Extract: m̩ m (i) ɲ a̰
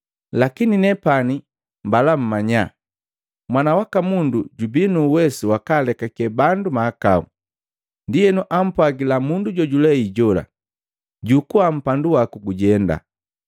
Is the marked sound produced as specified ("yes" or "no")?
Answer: no